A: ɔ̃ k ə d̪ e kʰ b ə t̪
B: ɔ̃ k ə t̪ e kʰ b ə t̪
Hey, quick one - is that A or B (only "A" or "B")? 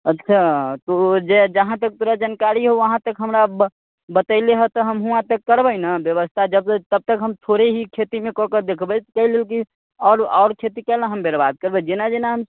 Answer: A